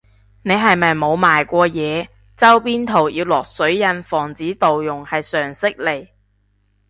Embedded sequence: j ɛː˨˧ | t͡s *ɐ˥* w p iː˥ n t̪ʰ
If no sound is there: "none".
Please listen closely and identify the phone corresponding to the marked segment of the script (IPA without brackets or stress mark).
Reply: ɐ˥